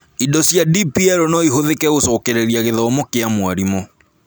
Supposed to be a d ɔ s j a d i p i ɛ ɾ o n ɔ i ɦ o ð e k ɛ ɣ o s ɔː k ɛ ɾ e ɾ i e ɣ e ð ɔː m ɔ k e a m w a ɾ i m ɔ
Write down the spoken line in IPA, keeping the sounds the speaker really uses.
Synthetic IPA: i d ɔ s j a d i p i ɛ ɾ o n ɔ i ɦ o ð e k ɛ ɣ o s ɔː k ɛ ɾ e ɾ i a ɣ e ð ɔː m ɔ k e a m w a ɾ i m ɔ

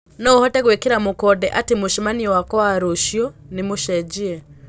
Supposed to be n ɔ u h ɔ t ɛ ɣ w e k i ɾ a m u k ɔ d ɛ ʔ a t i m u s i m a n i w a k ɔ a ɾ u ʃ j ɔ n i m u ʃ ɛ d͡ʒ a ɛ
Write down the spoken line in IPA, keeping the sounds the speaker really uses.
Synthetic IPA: n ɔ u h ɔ t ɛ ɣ w e k i ɾ a m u k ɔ d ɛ ʔ a t i m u ʃ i m a n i w a k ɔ a ɾ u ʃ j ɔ n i m u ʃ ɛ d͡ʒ i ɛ

